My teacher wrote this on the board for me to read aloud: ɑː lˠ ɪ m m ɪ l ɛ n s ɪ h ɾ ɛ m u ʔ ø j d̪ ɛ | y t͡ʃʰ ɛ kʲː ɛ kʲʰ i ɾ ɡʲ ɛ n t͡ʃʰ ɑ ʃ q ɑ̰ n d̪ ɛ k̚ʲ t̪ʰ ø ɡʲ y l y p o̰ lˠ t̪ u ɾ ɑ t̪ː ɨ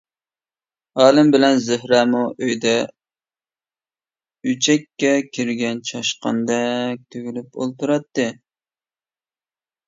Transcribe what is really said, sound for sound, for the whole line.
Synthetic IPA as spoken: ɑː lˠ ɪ m b ɪ l ɛ n z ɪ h ɾ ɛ m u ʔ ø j d̪ ɛ | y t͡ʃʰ ɛ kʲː ɛ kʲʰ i ɾ ɡʲ ɛ n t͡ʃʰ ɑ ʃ q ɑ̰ n d̪ ɛ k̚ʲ t̪ʰ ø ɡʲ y l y p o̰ lˠ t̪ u ɾ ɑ t̪ː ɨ

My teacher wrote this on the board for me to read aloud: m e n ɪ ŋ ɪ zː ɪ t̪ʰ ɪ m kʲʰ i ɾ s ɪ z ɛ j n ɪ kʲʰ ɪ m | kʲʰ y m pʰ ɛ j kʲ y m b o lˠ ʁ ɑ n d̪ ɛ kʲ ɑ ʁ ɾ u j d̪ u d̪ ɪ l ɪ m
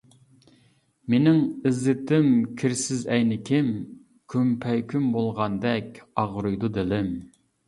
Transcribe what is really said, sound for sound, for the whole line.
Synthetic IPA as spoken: m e n ɪ ŋ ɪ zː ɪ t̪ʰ ɪ m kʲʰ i ɾ s ɪ z ɛ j n ɪ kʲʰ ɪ m | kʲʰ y m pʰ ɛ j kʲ y m b o lˠ ʁ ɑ n d̪ ɛ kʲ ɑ ʁ ɾ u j d̪ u d̪ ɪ l ɪ m

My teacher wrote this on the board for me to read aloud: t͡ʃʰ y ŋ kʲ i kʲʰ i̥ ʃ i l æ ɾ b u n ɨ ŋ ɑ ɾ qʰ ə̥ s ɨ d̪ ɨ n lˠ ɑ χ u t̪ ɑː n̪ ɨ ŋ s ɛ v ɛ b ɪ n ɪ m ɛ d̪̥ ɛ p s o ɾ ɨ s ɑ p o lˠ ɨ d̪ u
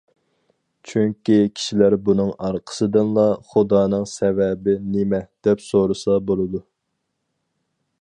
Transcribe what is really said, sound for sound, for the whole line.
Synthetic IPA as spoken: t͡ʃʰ y ŋ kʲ i kʲʰ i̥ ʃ i l æ ɾ b u n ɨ ŋ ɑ ɾ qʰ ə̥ s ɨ d̪ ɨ n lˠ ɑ χ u d̪ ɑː n̪ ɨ ŋ s ɛ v ɛ b ɪ n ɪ m ɛ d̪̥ ɛ p s o ɾ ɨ s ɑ b o lˠ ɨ d̪ u

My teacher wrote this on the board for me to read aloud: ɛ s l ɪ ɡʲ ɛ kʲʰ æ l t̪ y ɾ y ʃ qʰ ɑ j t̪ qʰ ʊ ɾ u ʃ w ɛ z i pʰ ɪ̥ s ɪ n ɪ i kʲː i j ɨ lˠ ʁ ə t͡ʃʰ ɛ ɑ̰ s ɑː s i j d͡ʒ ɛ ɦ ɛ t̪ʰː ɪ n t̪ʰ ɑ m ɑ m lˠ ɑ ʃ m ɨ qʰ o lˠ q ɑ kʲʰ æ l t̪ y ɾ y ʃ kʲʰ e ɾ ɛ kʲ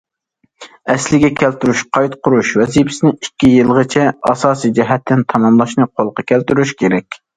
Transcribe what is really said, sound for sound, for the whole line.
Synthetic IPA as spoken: ɛ s l ɪ ɡʲ ɛ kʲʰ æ l t̪ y ɾ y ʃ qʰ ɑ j t̪ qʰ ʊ ɾ u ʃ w ɛ z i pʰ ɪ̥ s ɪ n ɪ i kʲː i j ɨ lˠ ʁ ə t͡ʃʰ ɛ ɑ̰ s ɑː s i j d͡ʒ ɛ ɦ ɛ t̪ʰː ɪ n t̪ʰ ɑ m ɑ m lˠ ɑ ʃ n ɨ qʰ o lˠ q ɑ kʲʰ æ l t̪ y ɾ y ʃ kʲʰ e ɾ ɛ kʲ

